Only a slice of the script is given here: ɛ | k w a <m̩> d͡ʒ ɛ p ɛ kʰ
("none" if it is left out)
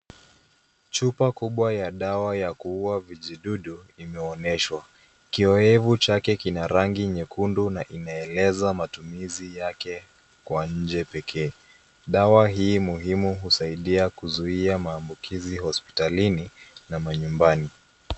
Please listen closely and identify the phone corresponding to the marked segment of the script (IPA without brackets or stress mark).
ɲ̩